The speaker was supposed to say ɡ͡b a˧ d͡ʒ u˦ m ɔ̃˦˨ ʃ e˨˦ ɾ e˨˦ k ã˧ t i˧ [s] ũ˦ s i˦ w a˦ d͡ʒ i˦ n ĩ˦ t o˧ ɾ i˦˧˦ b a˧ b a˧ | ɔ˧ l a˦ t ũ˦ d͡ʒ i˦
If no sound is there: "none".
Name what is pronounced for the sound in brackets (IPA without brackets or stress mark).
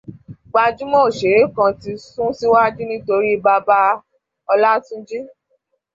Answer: s